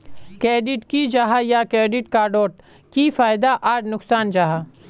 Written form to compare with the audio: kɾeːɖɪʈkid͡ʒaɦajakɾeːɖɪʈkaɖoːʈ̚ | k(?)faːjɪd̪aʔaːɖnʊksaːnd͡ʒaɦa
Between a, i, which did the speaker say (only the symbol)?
i